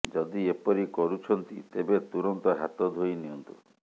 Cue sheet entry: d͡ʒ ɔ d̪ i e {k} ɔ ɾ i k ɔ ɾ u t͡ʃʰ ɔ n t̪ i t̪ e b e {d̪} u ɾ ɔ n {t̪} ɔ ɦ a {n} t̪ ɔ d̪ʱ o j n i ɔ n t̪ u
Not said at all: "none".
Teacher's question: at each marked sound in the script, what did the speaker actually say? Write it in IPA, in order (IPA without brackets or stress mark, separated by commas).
p, t̪, t̪, none